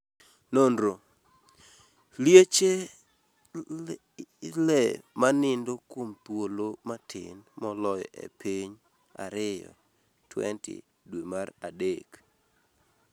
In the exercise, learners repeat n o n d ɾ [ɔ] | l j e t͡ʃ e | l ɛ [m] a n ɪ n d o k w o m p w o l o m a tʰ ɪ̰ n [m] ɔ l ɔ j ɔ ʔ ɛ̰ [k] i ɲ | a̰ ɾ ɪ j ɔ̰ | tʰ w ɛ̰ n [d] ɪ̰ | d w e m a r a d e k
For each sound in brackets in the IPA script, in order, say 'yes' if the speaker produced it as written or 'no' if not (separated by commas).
no, yes, yes, no, no